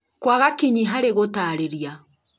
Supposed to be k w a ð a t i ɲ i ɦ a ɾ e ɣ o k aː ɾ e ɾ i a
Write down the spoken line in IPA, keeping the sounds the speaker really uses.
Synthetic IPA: k w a ɣ a k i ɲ i ɦ a ɾ e ɣ o t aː ɾ e ɾ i a

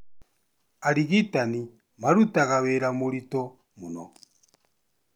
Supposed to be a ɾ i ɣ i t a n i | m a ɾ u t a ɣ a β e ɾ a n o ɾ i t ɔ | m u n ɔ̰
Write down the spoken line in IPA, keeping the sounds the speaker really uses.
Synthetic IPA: a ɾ i ɣ i t a n i | m a ɾ u t a ɣ a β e ɾ a m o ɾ i t ɔ | m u n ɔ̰

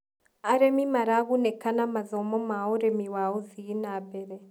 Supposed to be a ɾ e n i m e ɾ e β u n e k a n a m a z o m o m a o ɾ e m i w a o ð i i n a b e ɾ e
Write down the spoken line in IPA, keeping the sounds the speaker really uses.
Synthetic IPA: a ɾ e m i m a ɾ a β u n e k a n a m a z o m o m a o ɾ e m i w a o z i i n a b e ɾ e

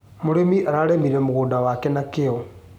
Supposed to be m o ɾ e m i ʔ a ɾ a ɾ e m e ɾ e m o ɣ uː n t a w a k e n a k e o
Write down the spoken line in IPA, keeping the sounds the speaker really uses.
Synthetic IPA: m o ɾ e m i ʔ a ɾ a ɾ e m i ɾ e m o ɣ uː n d a w a k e n a k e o

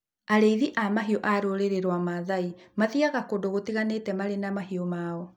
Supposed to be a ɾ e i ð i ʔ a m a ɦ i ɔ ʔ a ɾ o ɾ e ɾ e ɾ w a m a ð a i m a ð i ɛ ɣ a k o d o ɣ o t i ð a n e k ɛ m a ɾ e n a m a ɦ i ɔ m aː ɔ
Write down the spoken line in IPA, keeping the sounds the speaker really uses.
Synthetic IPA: a ɾ e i ð i ʔ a m a ɦ i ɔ ʔ a ɾ o ɾ e ɾ e ɾ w a m a ð a i m a ð i a ɣ a k o d o ɣ o t i ɣ a n e t ɛ m a ɾ e n a m a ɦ i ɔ m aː ɔ

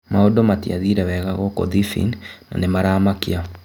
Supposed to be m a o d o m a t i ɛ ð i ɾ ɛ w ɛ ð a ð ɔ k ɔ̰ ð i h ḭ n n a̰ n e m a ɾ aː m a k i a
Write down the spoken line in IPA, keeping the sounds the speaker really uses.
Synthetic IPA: m a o d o m a t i a ð i ɾ ɛ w ɛ ɣ a ɣ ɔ k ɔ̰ ð i f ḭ n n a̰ n e m a ɾ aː m a k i a

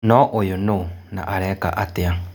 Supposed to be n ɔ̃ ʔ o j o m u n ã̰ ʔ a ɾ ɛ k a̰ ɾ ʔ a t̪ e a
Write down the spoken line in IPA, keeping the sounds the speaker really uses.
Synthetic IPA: n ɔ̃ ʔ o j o n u n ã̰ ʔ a ɾ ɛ k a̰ ʔ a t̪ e a

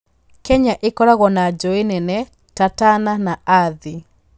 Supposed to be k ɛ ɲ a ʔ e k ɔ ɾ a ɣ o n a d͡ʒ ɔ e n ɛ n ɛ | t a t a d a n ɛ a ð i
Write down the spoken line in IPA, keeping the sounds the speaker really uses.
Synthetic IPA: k ɛ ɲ a ʔ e k ɔ ɾ a ɣ ɔ n a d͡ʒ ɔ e n ɛ n ɛ | t a t a n a n a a ð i

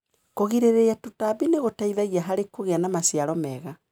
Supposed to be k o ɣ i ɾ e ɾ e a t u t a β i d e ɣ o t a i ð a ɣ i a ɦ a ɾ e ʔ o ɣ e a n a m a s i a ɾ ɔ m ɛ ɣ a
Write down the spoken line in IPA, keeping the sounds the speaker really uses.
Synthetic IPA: k o ɣ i ɾ e ɾ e a t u t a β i n e ɣ o t a i ð a ɣ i a ɦ a ɾ e k o ɣ e a n a m a s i a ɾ ɔ m ɛ ɣ a

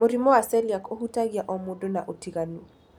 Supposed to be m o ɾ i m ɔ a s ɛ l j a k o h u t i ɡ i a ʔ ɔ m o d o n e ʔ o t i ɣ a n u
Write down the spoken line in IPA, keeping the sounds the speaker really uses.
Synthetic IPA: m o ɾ i m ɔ a s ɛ l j a k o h u t a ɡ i a ʔ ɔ m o d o n a ʔ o t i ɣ a n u

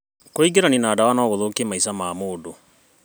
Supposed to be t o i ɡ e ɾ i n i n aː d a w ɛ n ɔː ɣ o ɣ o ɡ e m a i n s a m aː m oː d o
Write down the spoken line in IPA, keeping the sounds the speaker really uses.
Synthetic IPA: k o i ɡ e ɾ a n i n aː d a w a n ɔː ɣ o ð o k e m a i s a m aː m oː d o

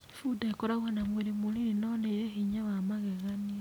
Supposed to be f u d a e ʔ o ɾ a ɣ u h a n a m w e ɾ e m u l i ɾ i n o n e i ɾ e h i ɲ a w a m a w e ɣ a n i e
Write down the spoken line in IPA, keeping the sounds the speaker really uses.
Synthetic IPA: f u d a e k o ɾ a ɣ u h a n a m w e ɾ e m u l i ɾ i n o n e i ɾ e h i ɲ a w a m a ɣ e ɣ a n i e

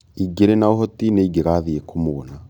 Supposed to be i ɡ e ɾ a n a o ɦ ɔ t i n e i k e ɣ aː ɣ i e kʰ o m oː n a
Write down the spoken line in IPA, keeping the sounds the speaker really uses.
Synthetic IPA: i ɡ e ɾ e n a o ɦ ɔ t i n e i ɡ e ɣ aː ð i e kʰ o m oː n a

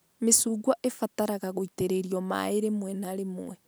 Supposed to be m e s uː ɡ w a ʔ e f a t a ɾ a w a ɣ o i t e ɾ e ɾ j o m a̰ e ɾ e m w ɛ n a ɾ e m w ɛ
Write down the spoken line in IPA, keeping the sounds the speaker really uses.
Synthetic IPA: m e s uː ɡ w a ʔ e f a t a ɾ a ɣ a ɣ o i t e ɾ e ɾ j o m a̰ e ɾ e m w ɛ n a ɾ e m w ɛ

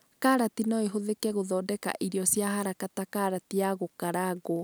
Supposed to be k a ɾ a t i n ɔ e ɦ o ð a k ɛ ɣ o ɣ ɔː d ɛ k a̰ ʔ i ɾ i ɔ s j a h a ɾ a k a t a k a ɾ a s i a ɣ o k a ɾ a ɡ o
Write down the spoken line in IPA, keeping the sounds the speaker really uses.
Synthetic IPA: k a ɾ a t i n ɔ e ɦ o ð e k ɛ ɣ o ð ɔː d ɛ k a̰ ʔ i ɾ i ɔ s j a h a ɾ a k a t a k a ɾ a t i a ɣ o k a ɾ a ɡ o

